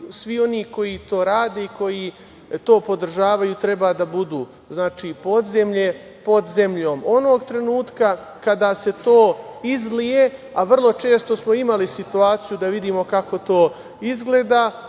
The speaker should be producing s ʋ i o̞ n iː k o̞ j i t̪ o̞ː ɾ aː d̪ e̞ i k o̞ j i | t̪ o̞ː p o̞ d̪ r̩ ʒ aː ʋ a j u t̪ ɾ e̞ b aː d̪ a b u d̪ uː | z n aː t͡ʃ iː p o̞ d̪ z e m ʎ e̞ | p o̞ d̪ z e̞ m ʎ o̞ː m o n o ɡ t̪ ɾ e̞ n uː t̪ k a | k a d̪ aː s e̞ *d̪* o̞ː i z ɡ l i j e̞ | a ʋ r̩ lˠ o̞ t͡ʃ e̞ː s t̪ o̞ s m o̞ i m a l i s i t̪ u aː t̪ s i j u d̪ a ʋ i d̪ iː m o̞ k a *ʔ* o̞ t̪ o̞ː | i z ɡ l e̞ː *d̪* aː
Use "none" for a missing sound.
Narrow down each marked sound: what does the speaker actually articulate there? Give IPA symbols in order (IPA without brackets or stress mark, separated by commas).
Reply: t̪, k, d̪